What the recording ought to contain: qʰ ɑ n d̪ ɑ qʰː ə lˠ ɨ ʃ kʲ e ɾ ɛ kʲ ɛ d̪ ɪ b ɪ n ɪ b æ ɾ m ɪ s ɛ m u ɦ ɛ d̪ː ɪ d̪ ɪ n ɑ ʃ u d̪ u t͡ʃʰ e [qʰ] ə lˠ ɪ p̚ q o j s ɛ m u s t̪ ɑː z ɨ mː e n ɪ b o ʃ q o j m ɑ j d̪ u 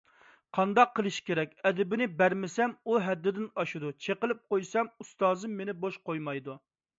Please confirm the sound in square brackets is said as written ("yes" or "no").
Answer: no